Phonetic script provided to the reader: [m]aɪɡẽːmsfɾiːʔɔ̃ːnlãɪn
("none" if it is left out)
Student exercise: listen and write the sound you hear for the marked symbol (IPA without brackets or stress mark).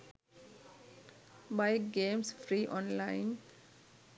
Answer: b